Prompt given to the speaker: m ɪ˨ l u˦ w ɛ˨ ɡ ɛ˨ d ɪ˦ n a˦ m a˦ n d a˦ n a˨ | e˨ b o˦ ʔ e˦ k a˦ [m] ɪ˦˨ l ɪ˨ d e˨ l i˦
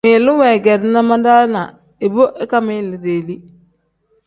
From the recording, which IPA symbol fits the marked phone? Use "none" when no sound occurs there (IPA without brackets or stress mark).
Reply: m